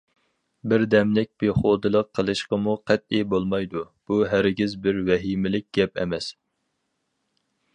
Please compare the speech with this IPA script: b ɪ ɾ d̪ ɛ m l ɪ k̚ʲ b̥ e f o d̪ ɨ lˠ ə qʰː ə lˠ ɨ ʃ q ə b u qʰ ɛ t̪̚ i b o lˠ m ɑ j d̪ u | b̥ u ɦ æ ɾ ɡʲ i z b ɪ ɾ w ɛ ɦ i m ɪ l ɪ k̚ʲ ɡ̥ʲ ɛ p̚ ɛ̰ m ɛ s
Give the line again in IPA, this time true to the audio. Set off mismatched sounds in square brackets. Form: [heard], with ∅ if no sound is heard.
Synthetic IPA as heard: b ɪ ɾ d̪ ɛ m l ɪ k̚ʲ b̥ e [χ] o d̪ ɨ lˠ ə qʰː ə lˠ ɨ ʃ q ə [m] u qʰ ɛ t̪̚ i b o lˠ m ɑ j d̪ u | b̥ u ɦ æ ɾ ɡʲ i z b ɪ ɾ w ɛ ɦ i m ɪ l ɪ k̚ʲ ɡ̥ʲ ɛ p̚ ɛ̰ m ɛ s